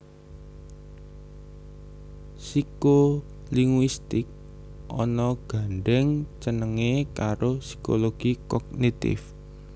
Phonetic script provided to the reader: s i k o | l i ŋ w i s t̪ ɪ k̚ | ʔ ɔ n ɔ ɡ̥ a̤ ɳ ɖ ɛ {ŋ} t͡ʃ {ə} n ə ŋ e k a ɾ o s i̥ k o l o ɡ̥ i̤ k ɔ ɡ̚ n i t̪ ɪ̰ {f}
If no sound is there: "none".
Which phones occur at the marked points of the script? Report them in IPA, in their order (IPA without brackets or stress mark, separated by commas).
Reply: ŋ, ə, f